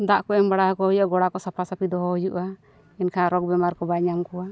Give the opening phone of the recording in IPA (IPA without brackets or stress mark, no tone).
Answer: d̪